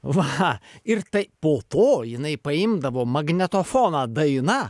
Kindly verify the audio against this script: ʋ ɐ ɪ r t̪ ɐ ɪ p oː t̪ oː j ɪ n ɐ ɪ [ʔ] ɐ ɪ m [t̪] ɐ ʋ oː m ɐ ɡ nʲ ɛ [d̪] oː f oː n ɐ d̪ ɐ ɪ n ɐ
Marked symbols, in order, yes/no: no, no, no

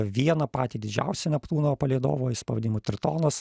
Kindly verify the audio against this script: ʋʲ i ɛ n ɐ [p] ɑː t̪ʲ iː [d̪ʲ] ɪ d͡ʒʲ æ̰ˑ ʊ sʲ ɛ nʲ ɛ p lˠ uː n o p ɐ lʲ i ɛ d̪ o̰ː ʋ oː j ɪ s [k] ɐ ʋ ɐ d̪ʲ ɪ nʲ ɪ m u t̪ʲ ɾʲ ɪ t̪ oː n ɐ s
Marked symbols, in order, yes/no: yes, yes, no

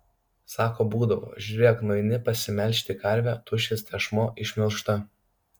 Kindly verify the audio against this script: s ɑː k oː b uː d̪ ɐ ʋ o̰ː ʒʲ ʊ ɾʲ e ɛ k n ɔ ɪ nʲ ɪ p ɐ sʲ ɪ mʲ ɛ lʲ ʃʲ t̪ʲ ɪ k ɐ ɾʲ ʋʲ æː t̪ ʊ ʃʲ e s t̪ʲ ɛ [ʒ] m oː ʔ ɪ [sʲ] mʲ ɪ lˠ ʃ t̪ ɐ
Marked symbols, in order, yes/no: no, no

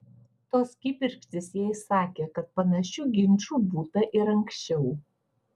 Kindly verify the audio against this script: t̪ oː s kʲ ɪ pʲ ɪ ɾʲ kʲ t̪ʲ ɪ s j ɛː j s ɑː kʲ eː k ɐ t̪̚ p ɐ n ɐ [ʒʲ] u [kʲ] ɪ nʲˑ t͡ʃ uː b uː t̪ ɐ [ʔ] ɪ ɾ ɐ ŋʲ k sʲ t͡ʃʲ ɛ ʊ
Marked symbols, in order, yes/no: no, no, yes

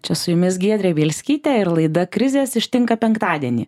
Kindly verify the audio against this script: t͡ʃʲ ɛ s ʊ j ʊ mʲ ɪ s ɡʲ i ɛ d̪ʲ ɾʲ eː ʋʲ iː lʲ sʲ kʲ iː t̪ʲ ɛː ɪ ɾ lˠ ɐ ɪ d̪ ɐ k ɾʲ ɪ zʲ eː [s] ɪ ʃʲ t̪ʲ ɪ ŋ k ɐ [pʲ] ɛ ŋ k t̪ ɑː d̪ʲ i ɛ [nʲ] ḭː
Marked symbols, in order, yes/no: yes, yes, yes

